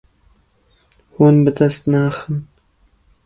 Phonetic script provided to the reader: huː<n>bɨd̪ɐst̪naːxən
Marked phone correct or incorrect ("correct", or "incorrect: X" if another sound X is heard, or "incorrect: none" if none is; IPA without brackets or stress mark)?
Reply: correct